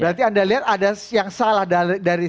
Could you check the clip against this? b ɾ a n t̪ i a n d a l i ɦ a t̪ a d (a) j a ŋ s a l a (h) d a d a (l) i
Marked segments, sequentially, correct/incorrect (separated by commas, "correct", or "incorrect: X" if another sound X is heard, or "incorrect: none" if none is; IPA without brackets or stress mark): correct, correct, incorrect: ɾ